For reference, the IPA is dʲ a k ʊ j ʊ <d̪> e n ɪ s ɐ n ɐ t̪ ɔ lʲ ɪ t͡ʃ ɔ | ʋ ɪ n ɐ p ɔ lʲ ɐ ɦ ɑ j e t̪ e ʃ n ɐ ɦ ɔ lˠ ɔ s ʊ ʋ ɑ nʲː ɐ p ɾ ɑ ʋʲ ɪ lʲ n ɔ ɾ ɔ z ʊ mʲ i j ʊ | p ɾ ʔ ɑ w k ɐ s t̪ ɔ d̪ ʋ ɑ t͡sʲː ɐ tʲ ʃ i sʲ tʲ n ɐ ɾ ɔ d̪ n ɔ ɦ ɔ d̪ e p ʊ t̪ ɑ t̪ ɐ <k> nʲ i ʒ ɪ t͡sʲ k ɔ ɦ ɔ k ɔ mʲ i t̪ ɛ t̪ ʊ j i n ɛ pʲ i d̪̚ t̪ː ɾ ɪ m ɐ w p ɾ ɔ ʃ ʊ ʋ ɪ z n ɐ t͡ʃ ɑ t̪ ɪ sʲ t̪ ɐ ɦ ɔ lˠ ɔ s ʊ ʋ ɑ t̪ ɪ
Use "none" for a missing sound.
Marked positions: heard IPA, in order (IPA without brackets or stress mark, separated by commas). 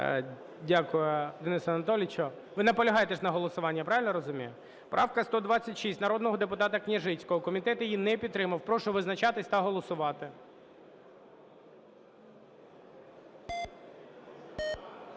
d̪, k